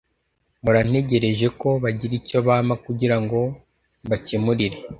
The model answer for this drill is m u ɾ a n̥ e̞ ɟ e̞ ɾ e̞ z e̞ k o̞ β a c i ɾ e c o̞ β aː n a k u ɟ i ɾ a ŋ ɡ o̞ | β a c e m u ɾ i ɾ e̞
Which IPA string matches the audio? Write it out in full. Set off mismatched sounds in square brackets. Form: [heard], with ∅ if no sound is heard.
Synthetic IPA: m u ɾ a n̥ e̞ ɟ e̞ ɾ e̞ [ʒ] e̞ k o̞ β a [ɟ] i ɾ [i] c o̞ β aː [m] a k u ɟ i ɾ a ŋ ɡ o̞ | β a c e m u ɾ i ɾ e̞